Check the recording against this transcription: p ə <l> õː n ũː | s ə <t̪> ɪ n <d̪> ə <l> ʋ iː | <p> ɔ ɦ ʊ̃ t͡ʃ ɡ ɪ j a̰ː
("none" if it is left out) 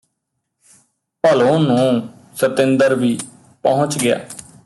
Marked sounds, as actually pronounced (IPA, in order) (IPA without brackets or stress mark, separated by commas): l, t̪, d̪, ɾ, p